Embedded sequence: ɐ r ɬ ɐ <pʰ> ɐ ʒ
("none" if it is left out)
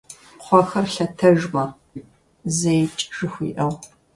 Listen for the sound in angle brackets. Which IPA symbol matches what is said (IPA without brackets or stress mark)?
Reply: tʰ